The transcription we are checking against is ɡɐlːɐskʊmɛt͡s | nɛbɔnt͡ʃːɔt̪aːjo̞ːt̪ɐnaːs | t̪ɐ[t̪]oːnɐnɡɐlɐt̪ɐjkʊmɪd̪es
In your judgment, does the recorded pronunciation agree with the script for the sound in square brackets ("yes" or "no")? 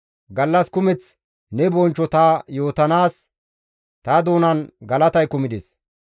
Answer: no